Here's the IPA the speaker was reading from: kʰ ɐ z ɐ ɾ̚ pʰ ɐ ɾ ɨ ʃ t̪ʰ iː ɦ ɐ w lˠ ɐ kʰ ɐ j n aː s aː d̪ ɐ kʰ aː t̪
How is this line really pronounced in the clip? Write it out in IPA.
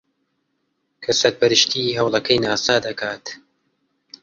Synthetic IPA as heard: kʰ ɐ s ɐ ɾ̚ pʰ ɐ ɾ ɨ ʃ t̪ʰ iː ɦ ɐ w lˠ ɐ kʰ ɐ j n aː s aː d̪ ɐ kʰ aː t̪